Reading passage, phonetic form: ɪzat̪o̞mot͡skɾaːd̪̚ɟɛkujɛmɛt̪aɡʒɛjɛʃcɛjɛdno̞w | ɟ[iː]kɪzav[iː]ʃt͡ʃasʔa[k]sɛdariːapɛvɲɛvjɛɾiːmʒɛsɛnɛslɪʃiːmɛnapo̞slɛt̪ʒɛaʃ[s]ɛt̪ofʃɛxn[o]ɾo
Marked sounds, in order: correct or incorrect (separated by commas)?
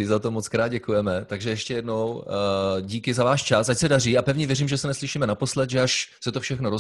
correct, incorrect, incorrect, correct, correct